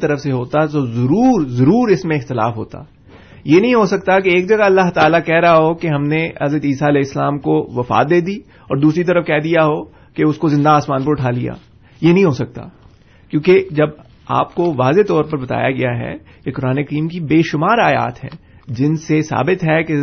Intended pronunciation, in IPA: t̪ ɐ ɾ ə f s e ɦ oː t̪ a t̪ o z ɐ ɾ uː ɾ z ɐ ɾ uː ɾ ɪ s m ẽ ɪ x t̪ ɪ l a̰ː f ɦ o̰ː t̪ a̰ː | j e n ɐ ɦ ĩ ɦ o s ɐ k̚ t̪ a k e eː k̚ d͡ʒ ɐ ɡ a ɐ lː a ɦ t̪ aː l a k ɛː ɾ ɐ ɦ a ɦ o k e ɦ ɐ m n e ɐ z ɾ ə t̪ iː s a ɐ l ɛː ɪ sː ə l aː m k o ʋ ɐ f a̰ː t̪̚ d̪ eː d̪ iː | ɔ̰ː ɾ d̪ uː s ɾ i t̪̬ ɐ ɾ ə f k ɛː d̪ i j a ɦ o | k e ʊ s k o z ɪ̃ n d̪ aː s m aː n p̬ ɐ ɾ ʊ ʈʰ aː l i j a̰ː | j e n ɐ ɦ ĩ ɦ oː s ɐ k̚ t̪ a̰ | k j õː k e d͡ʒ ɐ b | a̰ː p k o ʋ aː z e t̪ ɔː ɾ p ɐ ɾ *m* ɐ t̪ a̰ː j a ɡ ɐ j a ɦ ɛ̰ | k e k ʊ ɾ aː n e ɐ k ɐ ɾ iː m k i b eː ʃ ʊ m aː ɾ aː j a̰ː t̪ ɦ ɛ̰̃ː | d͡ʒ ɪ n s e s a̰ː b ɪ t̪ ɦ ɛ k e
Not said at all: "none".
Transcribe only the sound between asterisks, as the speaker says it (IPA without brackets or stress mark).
b